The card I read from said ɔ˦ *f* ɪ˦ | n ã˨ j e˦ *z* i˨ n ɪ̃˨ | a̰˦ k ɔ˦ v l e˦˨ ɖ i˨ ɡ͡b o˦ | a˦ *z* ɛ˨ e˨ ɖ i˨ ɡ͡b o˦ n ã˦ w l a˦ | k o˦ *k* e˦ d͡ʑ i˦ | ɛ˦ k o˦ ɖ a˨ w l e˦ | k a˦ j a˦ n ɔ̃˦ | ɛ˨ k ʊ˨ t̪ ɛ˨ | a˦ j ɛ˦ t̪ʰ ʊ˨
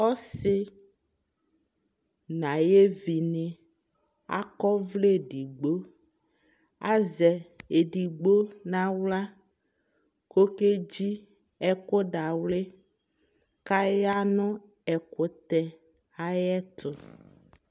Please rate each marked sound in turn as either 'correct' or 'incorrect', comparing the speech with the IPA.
incorrect: s, incorrect: v, correct, correct

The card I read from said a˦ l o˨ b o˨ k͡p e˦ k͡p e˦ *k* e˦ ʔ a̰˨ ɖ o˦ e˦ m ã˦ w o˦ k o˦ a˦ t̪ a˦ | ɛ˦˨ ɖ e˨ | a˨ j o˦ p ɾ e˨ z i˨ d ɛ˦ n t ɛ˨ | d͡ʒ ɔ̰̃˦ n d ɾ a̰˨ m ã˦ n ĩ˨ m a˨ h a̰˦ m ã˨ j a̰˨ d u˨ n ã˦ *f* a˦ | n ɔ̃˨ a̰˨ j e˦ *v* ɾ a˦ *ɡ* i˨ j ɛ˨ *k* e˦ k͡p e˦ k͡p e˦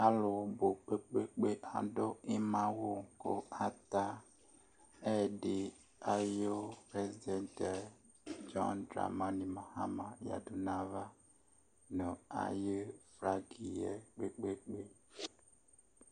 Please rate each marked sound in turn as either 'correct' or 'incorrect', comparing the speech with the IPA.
incorrect: k͡p, incorrect: v, incorrect: f, correct, incorrect: k͡p

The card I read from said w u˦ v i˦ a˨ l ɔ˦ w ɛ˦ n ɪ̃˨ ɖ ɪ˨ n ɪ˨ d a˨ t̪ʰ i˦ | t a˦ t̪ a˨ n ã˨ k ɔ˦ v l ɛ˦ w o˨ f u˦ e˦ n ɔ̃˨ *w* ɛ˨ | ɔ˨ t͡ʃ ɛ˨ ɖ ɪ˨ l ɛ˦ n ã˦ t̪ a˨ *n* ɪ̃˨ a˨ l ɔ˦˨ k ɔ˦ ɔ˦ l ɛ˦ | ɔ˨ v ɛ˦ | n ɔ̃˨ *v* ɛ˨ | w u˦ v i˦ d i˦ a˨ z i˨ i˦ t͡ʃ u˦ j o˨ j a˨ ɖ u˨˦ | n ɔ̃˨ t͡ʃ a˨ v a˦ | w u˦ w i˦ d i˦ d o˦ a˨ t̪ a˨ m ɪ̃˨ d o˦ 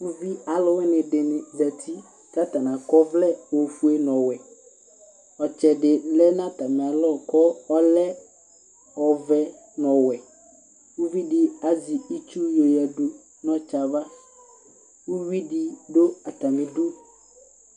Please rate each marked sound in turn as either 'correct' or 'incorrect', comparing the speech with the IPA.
correct, incorrect: m, incorrect: w

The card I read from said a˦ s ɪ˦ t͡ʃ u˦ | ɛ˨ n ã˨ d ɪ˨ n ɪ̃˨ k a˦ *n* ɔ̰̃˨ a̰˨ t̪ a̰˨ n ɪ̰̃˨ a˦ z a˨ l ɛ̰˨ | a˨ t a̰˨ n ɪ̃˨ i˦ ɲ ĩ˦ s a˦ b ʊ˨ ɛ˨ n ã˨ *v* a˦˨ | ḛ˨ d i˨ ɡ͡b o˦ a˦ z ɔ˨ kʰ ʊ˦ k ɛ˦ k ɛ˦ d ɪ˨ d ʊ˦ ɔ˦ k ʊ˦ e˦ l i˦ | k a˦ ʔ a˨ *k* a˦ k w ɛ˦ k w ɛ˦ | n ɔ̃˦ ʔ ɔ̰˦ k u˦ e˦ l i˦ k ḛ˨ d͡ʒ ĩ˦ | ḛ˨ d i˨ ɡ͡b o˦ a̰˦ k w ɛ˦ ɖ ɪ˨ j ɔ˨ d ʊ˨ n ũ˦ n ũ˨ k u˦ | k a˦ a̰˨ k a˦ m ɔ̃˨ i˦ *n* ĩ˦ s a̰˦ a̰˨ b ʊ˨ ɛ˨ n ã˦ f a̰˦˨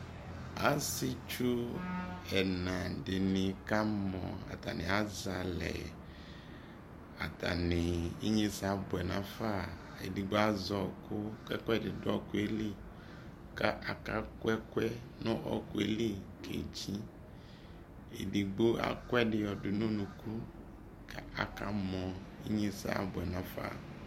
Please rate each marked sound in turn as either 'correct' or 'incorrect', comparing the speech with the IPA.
incorrect: m, incorrect: f, correct, incorrect: ɲ

